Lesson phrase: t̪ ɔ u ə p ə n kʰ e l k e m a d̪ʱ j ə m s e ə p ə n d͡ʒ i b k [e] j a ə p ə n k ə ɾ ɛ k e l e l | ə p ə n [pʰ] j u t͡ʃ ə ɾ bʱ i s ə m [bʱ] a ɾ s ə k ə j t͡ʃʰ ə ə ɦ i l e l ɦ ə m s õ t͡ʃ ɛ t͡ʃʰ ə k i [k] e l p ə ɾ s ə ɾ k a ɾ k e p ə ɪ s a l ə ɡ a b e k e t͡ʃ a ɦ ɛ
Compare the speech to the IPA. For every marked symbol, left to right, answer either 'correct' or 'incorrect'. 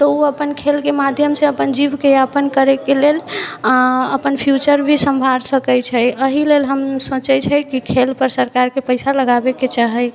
correct, correct, correct, incorrect: kʰ

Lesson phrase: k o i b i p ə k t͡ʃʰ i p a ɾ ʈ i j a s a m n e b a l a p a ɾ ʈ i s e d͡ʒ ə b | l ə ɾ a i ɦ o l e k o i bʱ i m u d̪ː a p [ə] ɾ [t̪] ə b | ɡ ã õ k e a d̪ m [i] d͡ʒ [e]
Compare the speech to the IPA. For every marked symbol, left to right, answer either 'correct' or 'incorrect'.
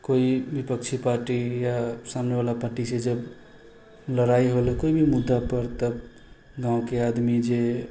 correct, correct, correct, correct

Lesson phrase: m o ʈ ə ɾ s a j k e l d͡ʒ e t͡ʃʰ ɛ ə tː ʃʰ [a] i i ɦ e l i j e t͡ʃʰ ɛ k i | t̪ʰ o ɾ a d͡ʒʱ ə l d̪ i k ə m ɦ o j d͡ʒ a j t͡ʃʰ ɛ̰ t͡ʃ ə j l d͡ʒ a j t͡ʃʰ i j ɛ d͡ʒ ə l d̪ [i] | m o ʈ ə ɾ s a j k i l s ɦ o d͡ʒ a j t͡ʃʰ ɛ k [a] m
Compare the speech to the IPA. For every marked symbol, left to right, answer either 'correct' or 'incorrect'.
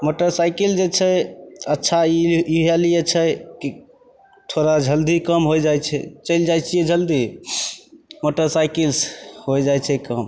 correct, correct, incorrect: ə

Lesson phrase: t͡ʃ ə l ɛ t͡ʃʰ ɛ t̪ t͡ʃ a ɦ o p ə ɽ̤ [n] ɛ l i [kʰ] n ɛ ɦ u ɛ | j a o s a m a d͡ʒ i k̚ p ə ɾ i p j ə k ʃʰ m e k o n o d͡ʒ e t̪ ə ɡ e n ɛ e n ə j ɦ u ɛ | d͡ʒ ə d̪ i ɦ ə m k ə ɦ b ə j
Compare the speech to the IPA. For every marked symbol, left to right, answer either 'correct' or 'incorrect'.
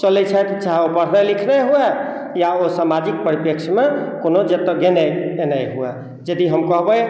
correct, correct

